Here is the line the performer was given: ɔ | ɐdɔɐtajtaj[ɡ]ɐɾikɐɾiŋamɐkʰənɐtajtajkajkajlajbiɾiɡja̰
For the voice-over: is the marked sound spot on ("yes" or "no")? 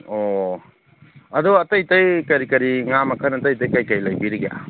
no